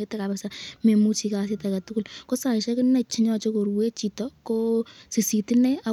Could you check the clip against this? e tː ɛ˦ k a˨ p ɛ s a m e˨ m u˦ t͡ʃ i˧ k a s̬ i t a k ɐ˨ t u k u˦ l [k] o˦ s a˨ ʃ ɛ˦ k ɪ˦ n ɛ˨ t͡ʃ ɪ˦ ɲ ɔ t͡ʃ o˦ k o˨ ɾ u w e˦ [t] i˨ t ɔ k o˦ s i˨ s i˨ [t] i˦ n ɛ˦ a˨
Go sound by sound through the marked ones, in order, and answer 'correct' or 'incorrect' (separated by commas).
correct, incorrect, correct